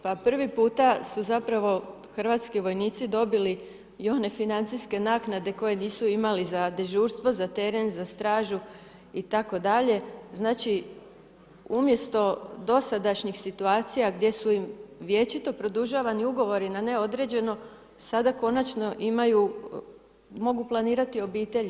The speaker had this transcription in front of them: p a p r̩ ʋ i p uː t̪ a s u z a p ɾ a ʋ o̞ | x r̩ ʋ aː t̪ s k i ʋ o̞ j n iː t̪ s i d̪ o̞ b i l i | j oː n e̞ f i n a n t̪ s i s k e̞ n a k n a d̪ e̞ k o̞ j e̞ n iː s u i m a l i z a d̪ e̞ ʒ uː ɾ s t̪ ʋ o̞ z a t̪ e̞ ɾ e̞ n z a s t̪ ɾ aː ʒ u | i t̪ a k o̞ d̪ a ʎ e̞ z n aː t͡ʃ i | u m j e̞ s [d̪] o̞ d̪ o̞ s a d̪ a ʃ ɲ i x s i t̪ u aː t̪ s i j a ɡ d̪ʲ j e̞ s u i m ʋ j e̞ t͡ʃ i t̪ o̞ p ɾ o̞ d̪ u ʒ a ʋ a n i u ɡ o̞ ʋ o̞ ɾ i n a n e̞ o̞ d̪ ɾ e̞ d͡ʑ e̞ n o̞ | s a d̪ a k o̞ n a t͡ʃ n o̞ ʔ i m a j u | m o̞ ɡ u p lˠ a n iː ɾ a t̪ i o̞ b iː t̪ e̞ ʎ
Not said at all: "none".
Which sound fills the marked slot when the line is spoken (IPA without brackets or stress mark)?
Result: t̪